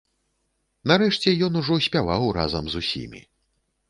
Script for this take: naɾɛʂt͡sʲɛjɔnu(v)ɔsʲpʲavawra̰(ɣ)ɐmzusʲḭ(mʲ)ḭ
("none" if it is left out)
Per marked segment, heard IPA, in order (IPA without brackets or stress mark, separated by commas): ʐ, z, mʲ